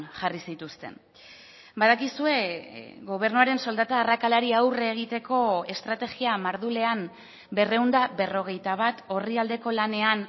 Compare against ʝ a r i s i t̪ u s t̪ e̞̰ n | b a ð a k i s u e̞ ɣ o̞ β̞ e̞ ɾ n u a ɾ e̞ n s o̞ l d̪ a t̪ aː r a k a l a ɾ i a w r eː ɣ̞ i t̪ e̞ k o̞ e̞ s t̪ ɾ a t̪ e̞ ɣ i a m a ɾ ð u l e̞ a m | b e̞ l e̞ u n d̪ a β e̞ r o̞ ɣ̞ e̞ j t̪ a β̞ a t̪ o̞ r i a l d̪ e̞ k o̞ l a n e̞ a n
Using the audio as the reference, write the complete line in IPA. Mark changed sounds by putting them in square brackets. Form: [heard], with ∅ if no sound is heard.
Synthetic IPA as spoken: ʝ a r i s i t̪ u s t̪ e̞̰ n | b a ð a k i s u e̞ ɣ o̞ β̞ e̞ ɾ n u a ɾ e̞ n s o̞ l d̪ a t̪ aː r a k a l a ɾ i a w r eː ɣ̞ i t̪ e̞ k o̞ e̞ s t̪ ɾ a t̪ e̞ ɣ i a m a ɾ ð u l e̞ a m | b e̞ [r] e̞ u n d̪ a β e̞ r o̞ ɣ̞ e̞ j t̪ a β̞ a t̪ o̞ r i a l d̪ e̞ k o̞ l a n e̞ a n